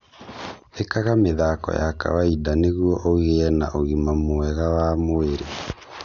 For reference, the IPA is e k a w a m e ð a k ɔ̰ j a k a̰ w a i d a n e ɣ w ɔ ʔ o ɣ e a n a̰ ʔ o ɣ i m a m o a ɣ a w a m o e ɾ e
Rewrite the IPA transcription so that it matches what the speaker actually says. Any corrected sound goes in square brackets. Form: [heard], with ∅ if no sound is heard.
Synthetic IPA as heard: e k a [ɣ] a m e ð a k ɔ̰ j a k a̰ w a i d a n e ɣ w ɔ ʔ o ɣ e [ɛ] n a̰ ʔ o ɣ i m a m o [ɛ] ɣ a w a m o e ɾ e